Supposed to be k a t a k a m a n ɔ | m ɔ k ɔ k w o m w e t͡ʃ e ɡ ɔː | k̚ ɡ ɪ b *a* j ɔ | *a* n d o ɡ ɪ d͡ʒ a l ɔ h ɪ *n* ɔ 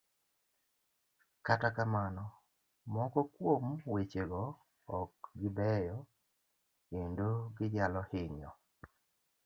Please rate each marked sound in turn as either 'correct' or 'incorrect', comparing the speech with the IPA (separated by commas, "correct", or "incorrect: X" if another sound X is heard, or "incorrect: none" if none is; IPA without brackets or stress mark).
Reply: incorrect: ɛ, incorrect: e, incorrect: ɲ